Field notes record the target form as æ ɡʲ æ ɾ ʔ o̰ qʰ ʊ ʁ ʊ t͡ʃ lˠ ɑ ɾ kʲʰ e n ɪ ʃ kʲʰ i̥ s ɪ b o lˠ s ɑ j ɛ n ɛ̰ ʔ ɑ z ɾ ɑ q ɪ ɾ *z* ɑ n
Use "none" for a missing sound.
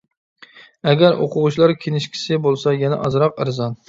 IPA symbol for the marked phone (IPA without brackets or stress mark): z